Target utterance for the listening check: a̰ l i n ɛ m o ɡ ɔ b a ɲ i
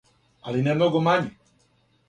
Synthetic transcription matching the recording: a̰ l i n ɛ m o ɡ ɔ m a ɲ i